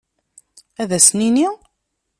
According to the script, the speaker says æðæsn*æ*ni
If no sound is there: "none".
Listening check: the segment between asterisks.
i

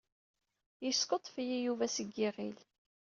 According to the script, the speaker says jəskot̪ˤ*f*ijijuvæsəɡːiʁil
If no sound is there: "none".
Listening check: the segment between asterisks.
f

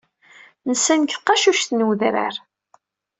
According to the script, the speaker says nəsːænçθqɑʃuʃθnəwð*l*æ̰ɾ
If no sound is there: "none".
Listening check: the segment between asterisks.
ɾ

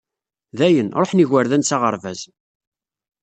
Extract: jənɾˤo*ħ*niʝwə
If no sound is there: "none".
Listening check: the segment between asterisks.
ħ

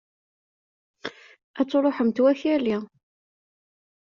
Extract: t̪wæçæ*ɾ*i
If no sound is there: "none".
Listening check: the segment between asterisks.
l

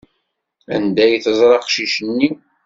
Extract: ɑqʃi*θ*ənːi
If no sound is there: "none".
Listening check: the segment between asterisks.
ʃ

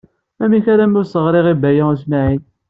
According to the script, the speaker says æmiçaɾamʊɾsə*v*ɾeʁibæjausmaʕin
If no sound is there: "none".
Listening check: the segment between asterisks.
ʁ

